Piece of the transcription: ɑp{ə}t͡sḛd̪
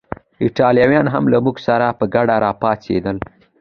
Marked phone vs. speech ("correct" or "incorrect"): incorrect